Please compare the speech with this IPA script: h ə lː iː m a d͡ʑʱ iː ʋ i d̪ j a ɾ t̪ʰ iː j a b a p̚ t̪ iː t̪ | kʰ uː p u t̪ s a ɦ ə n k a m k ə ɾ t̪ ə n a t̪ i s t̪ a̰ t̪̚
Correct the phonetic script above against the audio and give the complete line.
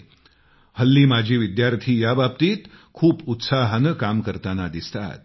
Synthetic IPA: h ə lː iː m a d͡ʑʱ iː ʋ i d̪ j a ɾ t̪ʰ iː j a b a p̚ t̪ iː t̪ | kʰ uː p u t̪ s a ɦ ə n k a m k ə ɾ t̪ a n a d̪ i s t̪ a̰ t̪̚

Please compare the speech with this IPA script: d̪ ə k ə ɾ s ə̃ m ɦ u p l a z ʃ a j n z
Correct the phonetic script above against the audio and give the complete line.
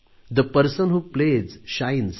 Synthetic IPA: d̪ ə p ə ɾ s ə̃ n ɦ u p l e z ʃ a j n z

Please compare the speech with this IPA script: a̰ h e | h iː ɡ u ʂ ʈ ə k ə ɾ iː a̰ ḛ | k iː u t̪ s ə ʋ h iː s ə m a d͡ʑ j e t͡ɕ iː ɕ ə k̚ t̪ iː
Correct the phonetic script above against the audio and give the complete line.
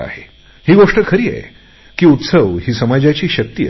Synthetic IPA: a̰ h e | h iː ɡ o ʂ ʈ ə kʰ ə ɾ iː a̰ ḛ | k iː u t̪ s ə ʋ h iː s ə m a d͡ʑ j a t͡ɕ iː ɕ ə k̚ t̪ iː

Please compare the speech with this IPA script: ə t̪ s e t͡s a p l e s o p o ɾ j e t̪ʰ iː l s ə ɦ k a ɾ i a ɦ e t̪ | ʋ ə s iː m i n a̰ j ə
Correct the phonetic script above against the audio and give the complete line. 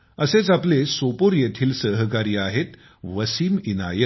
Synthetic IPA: ə s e t͡s a p l e s o p o ɾ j e t̪ʰ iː l s ə ɦ k a ɾ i a ɦ e t̪ | ʋ ə s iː m i n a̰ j ə

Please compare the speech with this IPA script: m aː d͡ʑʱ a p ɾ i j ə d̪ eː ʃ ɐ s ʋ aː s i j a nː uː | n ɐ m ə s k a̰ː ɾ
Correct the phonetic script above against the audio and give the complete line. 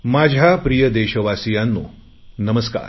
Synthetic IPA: m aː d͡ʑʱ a p ɾ i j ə d̪ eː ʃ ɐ ʋ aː s i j a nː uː | n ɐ m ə s k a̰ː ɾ

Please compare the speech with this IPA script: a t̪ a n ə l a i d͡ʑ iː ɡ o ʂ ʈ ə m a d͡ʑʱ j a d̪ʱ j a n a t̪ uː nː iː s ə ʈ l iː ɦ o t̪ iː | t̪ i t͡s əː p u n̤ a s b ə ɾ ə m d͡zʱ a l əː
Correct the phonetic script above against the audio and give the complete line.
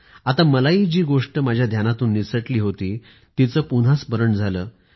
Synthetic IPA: a t̪ a m ə l a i d͡ʑ iː ɡ o ʂ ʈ ə m a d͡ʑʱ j a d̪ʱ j a n a t̪ uː nː i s ə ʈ l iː ɦ o t̪ iː | t̪ i t͡s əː p u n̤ a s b ə ɾ ə ɳ d͡zʱ a l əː

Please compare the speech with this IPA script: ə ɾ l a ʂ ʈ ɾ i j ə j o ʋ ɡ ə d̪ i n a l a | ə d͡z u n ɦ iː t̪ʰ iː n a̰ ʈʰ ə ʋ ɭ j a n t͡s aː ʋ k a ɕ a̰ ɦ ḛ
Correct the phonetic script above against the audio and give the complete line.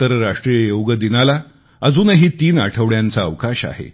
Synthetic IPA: ə ɾ ɾ a ʂ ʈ ɾ i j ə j o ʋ ɡ ə d̪ i n a l a | ə d͡z uː n ɦ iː t̪ iː n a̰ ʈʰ ə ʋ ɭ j a n t͡s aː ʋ k a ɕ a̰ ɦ ḛ

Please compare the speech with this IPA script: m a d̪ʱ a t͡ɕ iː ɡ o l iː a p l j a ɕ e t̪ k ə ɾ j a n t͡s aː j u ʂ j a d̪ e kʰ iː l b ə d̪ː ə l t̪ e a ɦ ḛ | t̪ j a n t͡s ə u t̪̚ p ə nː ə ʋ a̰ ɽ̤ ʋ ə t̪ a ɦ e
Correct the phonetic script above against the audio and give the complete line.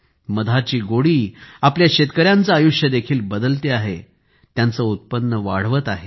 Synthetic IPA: m ə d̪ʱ a t͡ɕ iː ɡ o ɽ iː a p l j a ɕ e t̪ k ə ɾ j a n t͡s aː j u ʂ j ə d̪ e kʰ iː l b ə d̪ ə l t̪ e a ɦ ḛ | t̪ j a n t͡s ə u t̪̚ p ə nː ə ʋ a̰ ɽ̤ ʋ ə t̪ a ɦ e

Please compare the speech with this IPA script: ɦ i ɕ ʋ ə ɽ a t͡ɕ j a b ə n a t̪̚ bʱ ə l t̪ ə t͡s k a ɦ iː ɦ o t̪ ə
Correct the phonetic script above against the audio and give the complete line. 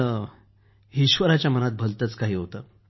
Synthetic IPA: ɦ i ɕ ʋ ə ɾ a t͡ɕ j a m ə n a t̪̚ bʱ ə l t̪ ə t͡s k a ɦ iː ɦ o t̪ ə

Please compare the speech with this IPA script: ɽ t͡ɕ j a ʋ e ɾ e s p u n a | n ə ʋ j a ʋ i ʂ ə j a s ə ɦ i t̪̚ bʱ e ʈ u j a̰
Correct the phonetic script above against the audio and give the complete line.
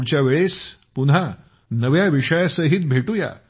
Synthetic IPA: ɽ t͡ɕ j a ʋ e ɭ e s p u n a | n ə ʋ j a ʋ i ʂ ə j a s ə ɦ i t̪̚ bʱ e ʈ u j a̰

